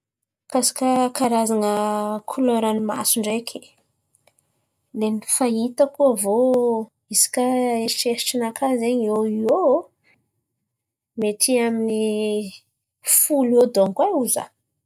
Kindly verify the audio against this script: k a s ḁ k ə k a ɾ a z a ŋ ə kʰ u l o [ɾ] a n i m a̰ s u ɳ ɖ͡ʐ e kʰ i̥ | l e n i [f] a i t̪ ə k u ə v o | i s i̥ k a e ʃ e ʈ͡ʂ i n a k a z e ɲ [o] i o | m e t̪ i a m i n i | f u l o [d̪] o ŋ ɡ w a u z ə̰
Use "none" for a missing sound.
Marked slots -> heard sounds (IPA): ɾ, f, o, d̪

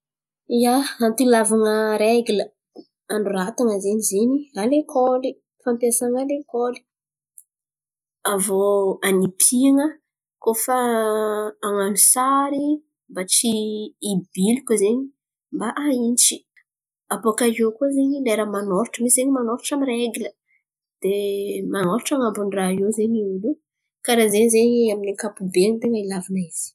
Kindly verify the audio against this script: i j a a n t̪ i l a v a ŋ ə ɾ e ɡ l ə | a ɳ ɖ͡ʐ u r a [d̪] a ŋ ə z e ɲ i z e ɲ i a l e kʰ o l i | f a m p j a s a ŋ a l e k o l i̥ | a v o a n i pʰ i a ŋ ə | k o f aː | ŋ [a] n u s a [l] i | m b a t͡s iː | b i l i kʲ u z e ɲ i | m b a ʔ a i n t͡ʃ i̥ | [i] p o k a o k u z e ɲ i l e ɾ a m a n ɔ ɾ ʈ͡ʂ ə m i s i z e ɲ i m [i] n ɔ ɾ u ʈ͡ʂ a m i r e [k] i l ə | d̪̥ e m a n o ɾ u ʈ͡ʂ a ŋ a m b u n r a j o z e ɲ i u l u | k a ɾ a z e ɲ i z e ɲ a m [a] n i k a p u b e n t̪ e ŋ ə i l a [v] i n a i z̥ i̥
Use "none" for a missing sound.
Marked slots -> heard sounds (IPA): t̪, a, ɾ, a, a, ɡ, i, v

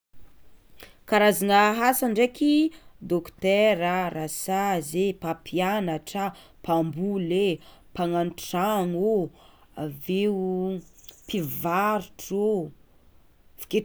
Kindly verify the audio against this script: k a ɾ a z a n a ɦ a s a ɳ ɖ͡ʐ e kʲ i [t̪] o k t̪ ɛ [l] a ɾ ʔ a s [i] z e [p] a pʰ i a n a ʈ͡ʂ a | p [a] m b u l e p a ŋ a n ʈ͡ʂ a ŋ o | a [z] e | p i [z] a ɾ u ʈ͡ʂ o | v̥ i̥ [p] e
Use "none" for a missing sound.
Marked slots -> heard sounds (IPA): d̪, ɾ, a, p, a, v, v, k

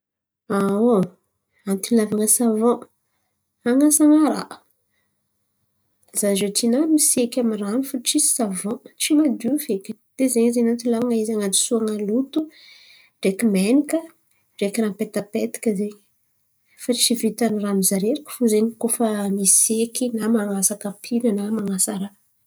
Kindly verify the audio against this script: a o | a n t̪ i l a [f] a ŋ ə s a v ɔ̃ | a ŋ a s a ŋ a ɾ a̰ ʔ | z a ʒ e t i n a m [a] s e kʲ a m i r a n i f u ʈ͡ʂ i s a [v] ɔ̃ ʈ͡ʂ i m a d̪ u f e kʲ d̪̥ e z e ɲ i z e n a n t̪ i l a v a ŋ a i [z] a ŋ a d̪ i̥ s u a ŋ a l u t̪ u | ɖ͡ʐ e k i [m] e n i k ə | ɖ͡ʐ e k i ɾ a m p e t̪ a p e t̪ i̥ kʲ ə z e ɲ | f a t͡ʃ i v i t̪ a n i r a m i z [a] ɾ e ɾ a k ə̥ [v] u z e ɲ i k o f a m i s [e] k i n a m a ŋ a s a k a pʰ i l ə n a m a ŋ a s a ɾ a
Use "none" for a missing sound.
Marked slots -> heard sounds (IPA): v, i, v, z, m, a, f, e

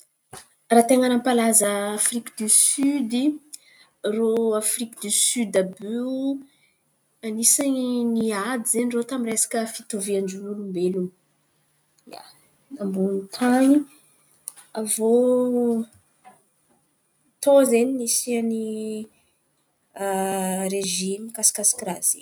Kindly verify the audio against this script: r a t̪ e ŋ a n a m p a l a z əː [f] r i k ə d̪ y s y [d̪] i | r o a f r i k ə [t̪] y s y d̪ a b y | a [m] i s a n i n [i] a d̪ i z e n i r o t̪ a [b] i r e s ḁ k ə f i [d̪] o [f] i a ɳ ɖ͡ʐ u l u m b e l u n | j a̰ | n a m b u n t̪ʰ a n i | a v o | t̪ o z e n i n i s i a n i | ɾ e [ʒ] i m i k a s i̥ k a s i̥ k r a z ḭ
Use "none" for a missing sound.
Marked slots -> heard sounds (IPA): f, d̪, d̪, n, i, m, t̪, v, ʒ

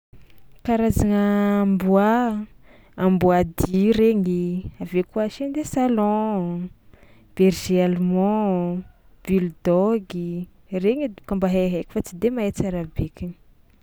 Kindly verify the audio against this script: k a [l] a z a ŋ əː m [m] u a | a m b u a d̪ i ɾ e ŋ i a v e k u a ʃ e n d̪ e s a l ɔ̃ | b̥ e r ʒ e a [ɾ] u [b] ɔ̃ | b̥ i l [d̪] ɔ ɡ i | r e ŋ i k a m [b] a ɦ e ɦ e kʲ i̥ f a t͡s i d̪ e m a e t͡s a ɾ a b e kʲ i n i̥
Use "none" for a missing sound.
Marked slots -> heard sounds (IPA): ɾ, b, l, m, d̪, b

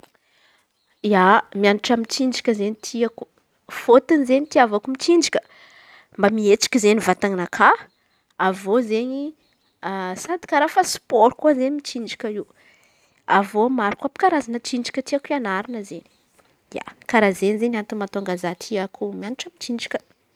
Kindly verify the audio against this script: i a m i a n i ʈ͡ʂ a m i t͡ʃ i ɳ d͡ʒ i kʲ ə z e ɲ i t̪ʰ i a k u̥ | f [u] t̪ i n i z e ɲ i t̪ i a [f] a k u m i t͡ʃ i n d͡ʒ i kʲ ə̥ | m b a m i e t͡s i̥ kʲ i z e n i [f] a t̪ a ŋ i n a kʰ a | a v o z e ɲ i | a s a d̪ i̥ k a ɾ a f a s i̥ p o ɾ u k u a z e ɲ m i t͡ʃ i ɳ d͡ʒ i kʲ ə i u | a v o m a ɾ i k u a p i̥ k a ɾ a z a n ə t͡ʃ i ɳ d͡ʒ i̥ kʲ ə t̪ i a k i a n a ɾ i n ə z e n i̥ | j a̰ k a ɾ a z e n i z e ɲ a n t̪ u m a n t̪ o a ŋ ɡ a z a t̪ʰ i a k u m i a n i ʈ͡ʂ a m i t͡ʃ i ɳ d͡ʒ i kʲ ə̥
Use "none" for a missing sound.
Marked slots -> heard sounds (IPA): o, v, v

